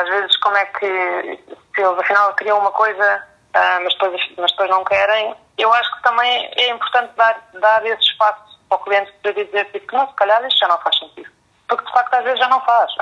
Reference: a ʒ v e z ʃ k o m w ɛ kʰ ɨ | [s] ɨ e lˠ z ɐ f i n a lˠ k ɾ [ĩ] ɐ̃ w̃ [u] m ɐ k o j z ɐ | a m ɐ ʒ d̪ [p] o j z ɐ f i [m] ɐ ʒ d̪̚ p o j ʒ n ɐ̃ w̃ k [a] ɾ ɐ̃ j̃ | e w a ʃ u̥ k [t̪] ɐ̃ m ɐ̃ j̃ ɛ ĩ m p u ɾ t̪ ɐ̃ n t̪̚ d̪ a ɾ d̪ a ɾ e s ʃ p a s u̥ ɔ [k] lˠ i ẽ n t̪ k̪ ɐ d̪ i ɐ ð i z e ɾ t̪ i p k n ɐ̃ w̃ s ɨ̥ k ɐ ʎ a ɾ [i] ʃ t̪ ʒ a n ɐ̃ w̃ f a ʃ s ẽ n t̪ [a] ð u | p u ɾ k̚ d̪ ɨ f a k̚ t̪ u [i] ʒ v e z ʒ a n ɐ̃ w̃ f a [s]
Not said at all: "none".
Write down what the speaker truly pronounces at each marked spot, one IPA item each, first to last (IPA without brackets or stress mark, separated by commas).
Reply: s, i, u, p, m, ɛ, t̪, k, i, i, a, ʃ